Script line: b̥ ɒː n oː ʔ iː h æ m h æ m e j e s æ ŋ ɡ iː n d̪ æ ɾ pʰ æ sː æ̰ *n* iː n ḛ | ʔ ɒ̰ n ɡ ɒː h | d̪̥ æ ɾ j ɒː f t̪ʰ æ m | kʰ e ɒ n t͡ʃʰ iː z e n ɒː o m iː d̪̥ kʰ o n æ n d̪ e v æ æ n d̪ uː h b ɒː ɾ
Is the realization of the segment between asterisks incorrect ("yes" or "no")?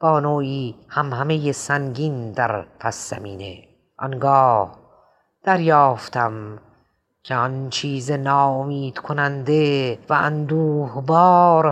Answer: yes